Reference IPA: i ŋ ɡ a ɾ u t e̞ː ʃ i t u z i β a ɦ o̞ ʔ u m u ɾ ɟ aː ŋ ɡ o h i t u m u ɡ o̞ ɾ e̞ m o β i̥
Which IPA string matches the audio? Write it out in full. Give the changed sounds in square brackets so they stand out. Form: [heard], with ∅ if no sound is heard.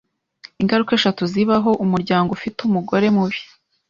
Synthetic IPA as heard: i ŋ ɡ a ɾ u [k] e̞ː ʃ [a] t u z i β a ɦ o̞ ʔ u m u ɾ ɟ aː ŋ ɡ o [f] i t u m u ɡ o̞ ɾ e̞ m [u] β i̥